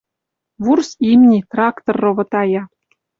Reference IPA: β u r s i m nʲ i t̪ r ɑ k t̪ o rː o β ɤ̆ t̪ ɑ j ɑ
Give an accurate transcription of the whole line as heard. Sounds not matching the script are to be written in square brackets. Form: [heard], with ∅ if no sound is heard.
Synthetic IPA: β u r s i m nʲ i t̪ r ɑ k t̪ o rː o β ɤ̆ t̪ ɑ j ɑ